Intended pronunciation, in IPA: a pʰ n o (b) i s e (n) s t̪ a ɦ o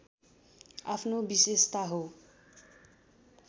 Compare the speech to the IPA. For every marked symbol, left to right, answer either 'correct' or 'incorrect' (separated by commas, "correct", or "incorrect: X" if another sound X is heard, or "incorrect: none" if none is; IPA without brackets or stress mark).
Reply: correct, incorrect: none